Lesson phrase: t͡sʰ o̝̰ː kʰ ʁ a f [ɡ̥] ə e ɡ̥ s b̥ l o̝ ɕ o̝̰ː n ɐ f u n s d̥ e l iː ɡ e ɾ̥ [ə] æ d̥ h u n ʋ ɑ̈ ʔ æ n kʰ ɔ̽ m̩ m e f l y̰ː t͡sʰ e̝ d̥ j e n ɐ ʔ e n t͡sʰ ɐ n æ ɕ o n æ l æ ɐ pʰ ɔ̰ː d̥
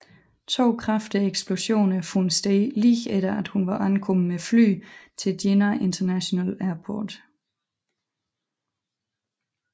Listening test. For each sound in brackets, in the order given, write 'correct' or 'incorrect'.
incorrect: d̥, incorrect: ɐ

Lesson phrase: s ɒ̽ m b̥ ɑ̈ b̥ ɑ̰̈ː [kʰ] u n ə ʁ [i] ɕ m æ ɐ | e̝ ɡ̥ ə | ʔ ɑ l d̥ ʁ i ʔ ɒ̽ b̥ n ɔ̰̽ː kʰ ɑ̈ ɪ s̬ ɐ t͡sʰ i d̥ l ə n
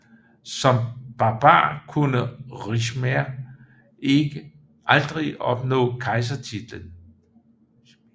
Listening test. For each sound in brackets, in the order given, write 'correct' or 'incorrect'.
correct, correct

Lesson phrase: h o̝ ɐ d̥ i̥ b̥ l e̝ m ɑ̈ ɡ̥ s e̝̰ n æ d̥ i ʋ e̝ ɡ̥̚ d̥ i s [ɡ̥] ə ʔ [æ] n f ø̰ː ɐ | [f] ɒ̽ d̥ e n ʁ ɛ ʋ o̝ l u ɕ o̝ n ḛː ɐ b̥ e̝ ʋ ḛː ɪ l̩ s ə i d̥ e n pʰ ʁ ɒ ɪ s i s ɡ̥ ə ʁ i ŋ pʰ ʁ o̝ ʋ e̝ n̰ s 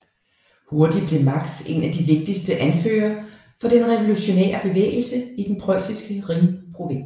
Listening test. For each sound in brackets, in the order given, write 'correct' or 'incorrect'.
incorrect: d̥, correct, correct

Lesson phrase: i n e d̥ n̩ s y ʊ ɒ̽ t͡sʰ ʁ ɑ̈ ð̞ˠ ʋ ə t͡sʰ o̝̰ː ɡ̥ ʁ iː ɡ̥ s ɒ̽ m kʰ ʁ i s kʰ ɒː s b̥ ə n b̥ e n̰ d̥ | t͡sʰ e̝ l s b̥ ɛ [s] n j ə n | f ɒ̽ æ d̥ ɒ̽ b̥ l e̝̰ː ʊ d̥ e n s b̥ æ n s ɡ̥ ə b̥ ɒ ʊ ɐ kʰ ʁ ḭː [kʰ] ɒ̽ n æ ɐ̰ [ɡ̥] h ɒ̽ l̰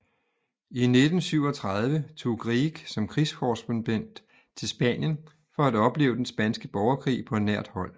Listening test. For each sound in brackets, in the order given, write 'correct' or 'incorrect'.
incorrect: none, incorrect: pʰ, incorrect: d̥

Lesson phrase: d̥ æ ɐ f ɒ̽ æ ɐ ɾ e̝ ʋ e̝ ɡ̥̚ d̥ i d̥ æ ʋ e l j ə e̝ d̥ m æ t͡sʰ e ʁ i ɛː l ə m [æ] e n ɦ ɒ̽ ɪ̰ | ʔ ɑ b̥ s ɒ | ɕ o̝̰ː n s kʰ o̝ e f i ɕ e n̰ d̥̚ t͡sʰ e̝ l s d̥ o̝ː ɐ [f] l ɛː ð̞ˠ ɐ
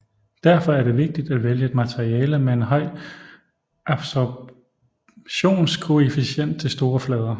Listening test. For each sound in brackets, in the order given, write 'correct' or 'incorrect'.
incorrect: e, correct

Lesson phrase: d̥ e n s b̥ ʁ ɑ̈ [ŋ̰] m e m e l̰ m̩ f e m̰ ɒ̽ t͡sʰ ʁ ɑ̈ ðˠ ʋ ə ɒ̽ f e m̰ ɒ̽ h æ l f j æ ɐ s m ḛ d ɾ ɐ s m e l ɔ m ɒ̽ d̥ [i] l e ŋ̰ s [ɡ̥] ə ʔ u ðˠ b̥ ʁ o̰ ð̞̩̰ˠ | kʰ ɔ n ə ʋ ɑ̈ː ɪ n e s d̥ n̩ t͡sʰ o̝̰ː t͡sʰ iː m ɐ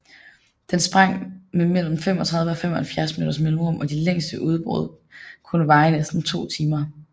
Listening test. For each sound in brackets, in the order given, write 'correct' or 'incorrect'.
correct, correct, incorrect: d̥

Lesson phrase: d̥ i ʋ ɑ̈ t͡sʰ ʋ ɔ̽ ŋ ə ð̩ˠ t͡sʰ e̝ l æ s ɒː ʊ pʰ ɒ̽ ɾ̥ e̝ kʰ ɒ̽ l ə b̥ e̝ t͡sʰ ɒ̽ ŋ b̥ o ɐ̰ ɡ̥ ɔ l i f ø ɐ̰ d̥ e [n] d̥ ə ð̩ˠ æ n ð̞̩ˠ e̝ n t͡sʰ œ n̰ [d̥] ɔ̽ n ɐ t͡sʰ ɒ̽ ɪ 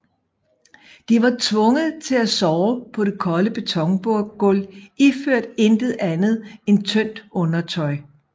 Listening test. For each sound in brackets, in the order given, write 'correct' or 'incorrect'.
correct, correct

